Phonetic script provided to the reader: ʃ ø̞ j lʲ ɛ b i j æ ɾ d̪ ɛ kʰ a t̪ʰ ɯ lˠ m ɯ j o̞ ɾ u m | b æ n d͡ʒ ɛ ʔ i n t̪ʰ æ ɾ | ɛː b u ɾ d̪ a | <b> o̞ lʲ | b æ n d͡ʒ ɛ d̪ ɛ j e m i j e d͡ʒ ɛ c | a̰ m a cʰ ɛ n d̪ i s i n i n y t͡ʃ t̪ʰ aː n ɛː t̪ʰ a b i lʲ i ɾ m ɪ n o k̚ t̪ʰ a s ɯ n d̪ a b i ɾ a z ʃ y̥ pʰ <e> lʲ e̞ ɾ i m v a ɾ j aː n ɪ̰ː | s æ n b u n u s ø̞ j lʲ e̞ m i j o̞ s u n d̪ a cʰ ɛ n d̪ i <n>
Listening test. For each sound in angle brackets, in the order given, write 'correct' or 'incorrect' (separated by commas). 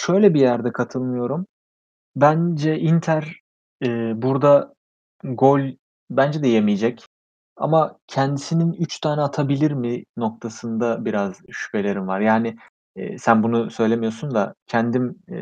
incorrect, correct, incorrect